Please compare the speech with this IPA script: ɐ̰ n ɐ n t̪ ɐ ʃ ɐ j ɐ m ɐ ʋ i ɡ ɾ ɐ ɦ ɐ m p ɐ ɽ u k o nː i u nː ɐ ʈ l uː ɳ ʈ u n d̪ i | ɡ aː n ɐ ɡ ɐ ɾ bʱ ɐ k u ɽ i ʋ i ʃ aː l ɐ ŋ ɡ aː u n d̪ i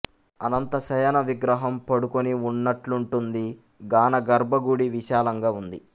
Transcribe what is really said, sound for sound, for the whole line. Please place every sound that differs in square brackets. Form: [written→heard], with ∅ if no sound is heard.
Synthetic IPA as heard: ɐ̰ n ɐ n t̪ ɐ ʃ ɐ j ɐ [m→n] ɐ ʋ i ɡ ɾ ɐ ɦ ɐ m p ɐ ɽ u k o [nː→n] i u nː ɐ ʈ l [uː→u] ɳ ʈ u n d̪ i | ɡ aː n ɐ ɡ ɐ ɾ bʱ ɐ [k→ɡ] u ɽ i ʋ i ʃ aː l ɐ ŋ ɡ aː u n d̪ i